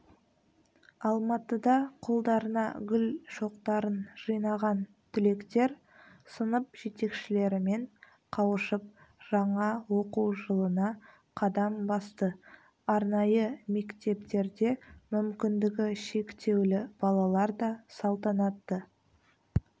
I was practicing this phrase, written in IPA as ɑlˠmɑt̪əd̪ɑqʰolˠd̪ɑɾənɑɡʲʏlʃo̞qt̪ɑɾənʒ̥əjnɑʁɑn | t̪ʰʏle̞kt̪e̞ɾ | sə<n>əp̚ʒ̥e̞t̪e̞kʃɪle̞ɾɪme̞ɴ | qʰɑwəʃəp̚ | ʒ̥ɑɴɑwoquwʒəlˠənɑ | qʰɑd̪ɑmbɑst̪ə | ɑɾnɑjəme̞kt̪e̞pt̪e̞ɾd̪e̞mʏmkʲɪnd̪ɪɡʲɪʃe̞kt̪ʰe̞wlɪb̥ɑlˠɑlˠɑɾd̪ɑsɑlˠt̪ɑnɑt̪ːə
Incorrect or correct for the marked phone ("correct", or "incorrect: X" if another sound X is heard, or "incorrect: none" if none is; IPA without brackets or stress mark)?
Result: correct